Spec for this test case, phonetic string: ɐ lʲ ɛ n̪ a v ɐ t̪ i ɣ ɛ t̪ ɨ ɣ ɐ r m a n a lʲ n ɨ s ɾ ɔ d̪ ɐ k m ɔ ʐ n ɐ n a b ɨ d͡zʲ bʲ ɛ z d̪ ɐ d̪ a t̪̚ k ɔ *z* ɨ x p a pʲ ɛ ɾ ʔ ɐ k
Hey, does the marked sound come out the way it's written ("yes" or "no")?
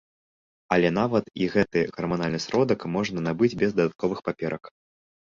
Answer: no